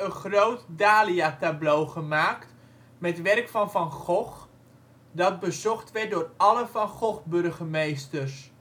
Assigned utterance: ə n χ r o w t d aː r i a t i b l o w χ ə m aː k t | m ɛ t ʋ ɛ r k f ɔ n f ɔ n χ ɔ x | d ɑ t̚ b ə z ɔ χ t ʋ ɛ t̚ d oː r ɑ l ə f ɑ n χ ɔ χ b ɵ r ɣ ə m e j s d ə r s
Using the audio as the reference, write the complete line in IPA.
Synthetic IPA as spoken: ə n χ r o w t d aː l i a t a b l o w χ ə m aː k t | m ɛ t ʋ ɛ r k f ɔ n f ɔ n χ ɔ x | d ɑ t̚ b ə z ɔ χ t ʋ ɛ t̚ d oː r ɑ l ə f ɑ n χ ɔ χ b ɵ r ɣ ə m e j s t ə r s